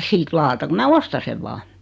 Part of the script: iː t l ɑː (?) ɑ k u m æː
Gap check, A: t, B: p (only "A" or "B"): A